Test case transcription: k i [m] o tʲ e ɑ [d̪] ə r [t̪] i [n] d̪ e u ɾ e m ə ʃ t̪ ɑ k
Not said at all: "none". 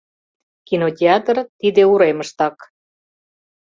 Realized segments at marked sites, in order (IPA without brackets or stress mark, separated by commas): n, t̪, t̪, none